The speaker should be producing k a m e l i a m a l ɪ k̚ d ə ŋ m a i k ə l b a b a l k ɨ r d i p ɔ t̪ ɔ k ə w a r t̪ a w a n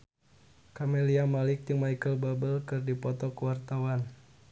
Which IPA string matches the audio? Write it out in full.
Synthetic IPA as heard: k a m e l i a m a l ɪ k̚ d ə ŋ m a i k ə l b a b ə l k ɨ r d i p ɔ t̪ ɔ k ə w a r t̪ a w a n